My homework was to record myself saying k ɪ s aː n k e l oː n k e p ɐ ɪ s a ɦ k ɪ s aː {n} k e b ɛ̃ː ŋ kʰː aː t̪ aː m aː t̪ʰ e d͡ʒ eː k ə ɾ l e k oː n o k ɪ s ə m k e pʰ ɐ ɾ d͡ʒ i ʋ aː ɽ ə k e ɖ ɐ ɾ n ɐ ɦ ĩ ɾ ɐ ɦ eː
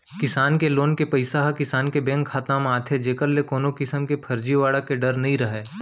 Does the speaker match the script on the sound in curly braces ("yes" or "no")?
yes